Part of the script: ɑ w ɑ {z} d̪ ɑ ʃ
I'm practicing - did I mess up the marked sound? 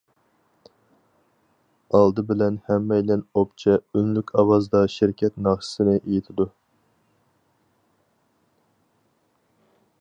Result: no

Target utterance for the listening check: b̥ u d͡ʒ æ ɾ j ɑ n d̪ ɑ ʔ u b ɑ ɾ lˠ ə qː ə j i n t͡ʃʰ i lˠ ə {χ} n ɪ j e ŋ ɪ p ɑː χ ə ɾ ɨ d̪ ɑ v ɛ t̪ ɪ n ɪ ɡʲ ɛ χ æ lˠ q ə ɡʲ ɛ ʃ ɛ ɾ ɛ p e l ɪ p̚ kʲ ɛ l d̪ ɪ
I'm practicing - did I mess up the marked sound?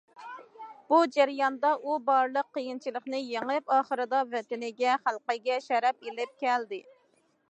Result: no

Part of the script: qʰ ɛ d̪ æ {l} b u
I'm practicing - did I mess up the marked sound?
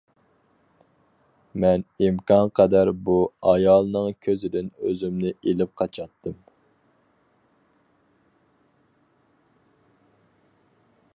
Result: yes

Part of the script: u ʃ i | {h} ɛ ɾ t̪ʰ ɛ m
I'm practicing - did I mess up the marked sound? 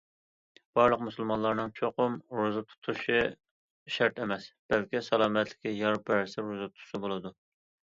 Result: yes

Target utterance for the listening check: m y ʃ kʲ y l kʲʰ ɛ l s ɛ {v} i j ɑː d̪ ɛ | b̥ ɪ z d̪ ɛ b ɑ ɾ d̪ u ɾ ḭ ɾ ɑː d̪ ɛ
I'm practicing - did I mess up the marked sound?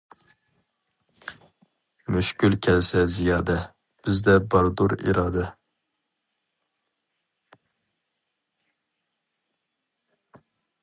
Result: yes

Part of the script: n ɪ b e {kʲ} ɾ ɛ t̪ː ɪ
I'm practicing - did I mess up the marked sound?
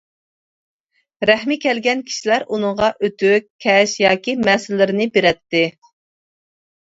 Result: yes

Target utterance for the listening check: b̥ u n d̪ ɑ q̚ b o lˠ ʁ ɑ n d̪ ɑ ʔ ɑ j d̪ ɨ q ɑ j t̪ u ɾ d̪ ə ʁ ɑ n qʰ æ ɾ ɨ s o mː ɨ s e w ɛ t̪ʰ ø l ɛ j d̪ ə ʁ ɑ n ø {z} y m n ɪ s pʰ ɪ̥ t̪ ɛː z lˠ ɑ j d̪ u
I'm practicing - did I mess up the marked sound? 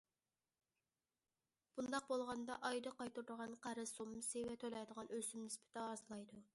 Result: yes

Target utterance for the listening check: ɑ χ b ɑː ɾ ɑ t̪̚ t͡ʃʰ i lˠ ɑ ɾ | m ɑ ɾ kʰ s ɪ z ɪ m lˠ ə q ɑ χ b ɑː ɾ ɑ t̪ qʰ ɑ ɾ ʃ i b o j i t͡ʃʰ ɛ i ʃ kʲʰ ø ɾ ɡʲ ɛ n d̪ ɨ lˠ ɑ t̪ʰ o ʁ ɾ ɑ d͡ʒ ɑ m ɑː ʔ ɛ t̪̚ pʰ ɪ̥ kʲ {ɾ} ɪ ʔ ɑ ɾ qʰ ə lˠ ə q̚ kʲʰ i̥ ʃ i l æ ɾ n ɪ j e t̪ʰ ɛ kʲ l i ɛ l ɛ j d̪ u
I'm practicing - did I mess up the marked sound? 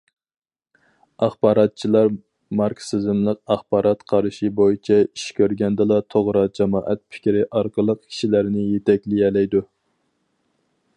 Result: no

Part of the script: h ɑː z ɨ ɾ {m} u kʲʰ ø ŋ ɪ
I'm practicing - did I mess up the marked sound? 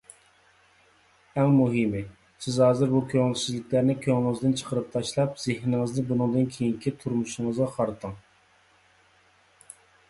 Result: yes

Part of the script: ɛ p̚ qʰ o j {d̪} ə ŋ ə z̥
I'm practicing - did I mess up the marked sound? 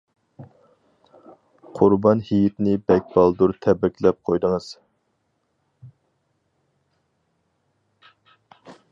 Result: no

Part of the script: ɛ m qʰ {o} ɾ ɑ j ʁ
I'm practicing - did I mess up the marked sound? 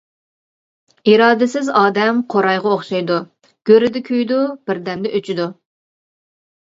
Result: no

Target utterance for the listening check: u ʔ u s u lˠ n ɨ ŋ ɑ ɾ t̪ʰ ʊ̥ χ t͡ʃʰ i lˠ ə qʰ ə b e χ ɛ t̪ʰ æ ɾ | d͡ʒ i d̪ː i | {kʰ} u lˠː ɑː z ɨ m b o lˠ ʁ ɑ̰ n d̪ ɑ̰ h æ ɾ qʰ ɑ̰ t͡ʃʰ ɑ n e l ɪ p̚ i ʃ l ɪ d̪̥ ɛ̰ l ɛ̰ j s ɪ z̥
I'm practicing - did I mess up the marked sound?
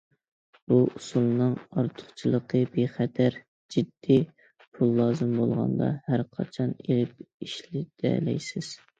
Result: yes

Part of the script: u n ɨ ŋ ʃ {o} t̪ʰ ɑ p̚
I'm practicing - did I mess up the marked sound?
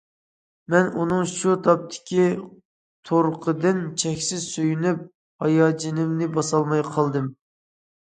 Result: yes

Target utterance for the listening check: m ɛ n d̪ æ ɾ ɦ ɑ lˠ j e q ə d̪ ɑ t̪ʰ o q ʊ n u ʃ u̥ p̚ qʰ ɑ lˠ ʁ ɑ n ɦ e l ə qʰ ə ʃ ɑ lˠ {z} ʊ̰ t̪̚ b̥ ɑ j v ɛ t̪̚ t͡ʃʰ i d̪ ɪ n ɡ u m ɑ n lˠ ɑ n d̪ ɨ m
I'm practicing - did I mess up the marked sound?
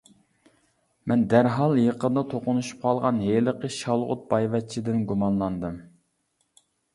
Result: yes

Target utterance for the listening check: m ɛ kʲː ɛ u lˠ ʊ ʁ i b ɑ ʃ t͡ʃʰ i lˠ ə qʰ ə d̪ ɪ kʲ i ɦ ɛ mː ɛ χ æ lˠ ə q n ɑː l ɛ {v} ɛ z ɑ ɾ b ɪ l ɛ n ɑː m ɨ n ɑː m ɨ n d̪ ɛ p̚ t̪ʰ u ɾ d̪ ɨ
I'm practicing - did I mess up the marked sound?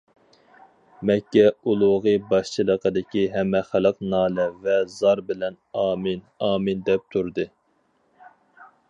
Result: no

